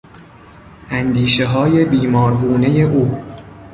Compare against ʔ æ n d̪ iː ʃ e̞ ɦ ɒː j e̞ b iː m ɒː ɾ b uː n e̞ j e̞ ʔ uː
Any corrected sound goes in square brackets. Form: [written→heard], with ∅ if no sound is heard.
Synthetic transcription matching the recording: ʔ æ n d̪ iː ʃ e̞ ɦ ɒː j e̞ b iː m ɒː ɾ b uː n e̞ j e̞ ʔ uː